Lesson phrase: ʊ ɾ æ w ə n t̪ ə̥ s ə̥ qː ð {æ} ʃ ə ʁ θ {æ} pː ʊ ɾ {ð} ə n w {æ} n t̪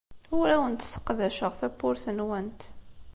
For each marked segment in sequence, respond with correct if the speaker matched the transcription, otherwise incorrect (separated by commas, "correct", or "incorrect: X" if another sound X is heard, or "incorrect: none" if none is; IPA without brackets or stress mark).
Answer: correct, correct, incorrect: θ, correct